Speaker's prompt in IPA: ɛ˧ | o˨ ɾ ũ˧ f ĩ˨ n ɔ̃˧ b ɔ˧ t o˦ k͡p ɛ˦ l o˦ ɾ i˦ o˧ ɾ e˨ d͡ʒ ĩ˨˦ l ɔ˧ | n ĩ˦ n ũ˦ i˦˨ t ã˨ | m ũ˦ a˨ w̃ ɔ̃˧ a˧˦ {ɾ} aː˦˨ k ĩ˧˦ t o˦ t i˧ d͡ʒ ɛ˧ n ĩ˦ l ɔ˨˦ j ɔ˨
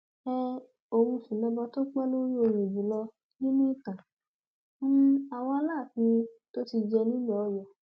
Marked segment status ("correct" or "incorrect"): incorrect